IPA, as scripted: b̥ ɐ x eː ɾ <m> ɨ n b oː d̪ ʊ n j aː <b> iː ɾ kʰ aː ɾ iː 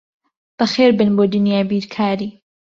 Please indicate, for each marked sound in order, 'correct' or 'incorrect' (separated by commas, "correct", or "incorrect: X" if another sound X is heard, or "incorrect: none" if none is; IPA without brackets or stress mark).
incorrect: b, correct